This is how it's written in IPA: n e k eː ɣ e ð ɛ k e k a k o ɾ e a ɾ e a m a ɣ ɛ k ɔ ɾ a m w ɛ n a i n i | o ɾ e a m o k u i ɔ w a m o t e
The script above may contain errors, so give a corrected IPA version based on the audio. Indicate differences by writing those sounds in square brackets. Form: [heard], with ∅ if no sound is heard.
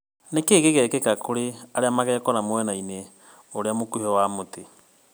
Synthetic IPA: n e k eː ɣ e [ɣ] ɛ k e k a k o ɾ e a ɾ e a m a ɣ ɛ k ɔ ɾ a m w ɛ n a i n [e] | o ɾ e a m o k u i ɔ w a m o t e